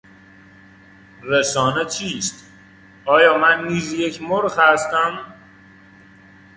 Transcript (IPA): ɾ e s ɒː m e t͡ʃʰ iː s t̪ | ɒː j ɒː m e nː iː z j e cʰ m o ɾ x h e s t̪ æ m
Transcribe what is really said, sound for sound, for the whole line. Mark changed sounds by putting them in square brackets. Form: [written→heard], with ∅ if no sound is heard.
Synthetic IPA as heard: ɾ e s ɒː [m→n] e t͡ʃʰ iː s t̪ | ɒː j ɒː m [e→æ] nː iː z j e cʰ m o ɾ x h [e→æ] s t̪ æ m